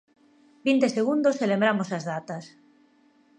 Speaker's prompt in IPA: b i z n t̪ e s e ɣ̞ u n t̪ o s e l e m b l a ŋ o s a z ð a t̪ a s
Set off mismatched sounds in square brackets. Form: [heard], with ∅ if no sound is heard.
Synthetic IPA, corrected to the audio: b i [∅] n t̪ e s e ɣ̞ u n [d̪] o s e l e m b [ɾ] a [m] o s a z ð a t̪ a s